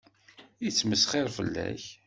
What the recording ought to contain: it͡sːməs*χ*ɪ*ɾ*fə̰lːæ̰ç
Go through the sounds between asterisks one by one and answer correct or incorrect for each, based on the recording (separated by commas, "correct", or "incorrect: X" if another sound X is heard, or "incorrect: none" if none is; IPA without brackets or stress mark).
correct, correct